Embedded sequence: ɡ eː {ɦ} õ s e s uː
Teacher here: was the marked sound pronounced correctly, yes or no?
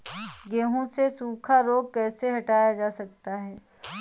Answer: yes